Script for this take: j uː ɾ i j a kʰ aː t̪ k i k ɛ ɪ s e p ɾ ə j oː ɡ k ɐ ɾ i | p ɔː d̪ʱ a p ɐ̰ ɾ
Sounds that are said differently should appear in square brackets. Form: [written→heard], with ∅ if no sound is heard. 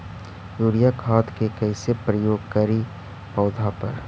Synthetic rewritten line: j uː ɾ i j a kʰ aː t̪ k [i→e] k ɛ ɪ s e p ɾ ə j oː ɡ k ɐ ɾ i | p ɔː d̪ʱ a p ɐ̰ ɾ